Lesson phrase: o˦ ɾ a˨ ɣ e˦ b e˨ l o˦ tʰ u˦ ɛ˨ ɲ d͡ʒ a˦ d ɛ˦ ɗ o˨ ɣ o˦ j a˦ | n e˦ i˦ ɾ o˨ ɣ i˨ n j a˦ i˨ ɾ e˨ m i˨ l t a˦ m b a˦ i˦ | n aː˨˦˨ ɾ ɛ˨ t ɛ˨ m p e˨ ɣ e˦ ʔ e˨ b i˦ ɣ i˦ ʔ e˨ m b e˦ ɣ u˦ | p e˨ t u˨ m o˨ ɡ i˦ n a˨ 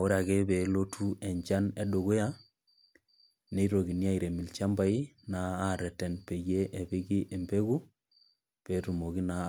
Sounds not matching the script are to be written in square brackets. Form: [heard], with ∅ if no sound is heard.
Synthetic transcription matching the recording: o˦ ɾ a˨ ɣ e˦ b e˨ l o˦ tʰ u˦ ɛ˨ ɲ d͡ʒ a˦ [n] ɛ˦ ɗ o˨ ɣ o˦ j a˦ | n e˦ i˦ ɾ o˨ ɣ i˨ n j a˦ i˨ ɾ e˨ m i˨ l [t͡ʃ] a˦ m b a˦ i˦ | n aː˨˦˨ ɾ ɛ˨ t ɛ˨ [n] p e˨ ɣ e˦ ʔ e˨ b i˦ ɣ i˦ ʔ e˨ m b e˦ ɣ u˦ | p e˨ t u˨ m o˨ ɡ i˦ n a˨

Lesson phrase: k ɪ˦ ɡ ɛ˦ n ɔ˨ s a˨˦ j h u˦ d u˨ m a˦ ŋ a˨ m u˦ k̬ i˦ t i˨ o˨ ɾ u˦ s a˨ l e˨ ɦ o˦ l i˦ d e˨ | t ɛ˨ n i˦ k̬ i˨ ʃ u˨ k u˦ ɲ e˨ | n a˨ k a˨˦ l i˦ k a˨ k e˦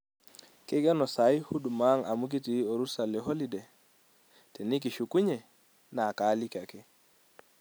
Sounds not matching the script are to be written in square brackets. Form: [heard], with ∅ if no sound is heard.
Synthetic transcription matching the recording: k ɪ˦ ɡ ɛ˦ n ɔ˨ s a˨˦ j h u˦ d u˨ m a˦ ŋ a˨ m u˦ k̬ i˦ t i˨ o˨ ɾ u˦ s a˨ l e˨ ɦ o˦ l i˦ d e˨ | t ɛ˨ n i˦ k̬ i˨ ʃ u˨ k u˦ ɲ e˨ | n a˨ k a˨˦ l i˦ k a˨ k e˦

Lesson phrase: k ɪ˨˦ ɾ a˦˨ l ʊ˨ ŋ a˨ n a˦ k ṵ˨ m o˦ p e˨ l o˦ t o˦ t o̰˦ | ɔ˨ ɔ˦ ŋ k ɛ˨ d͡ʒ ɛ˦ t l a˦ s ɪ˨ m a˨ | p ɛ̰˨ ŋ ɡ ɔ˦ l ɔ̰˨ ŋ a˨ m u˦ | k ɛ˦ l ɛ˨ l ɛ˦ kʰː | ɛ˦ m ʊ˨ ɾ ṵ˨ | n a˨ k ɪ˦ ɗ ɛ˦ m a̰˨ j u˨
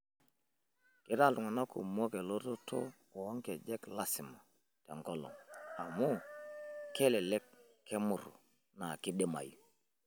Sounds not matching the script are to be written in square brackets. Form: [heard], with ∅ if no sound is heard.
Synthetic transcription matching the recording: k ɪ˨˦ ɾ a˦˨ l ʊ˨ ŋ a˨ n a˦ k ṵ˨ m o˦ [k] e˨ l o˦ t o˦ t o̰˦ | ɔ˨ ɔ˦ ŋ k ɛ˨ d͡ʒ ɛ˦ [k] l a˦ s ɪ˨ m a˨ | [t] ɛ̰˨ ŋ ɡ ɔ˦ l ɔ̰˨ ŋ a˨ m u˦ | k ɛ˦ l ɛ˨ l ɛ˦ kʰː | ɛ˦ m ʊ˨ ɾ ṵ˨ | n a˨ k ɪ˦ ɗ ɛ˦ m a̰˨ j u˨

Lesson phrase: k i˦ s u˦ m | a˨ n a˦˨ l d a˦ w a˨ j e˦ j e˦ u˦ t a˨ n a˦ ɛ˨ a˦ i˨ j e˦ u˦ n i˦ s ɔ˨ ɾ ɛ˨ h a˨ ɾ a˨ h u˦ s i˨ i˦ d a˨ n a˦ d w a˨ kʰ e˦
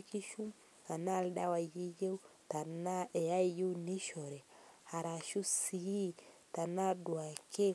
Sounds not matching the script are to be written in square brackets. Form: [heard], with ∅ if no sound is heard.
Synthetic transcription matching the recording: k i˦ [ʃ] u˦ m | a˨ n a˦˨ l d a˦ w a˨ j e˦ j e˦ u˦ t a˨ n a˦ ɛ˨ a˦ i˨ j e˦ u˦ n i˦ [ʃ] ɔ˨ ɾ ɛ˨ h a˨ ɾ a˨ [ʃ] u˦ s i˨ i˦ [t] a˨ n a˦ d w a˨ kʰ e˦

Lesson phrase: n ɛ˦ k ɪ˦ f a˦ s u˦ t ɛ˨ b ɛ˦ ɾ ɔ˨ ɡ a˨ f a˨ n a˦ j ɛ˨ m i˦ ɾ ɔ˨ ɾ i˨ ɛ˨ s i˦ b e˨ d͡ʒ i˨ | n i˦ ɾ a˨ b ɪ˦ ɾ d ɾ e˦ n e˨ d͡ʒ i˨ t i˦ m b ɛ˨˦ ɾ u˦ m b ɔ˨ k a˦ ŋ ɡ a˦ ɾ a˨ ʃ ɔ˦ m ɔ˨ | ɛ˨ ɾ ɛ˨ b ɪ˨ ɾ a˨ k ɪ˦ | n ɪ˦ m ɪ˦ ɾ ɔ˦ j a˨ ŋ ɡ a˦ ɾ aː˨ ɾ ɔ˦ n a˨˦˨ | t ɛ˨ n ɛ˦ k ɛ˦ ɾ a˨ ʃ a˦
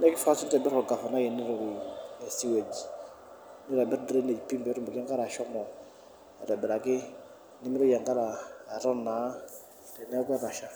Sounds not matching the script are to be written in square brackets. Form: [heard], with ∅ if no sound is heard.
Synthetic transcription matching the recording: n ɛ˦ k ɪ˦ f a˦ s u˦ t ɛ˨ b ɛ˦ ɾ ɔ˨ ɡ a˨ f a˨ n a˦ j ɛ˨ [n] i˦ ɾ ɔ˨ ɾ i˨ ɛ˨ s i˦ [w] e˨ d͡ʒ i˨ | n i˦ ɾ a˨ b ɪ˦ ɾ d ɾ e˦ n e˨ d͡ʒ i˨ [p] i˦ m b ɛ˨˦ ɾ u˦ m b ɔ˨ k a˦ ŋ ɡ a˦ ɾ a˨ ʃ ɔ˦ m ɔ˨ | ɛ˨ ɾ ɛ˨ b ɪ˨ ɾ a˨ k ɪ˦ | n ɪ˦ m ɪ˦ ɾ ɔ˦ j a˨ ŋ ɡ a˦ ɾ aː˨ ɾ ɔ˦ n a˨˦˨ | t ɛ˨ n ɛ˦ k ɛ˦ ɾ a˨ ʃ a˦

